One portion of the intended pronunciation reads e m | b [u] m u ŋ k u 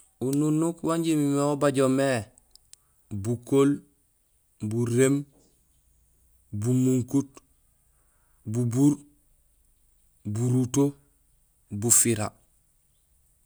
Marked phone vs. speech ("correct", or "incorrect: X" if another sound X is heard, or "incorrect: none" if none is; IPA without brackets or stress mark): correct